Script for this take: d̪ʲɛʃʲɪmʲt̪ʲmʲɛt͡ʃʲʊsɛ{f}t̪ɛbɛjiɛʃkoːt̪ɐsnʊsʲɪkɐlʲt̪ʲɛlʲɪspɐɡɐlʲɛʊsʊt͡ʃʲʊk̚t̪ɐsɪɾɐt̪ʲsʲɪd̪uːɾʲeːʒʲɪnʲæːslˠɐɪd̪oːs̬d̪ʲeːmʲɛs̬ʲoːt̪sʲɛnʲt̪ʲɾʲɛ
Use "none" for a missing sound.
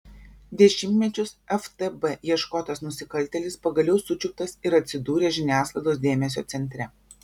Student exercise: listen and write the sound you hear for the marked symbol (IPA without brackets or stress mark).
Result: f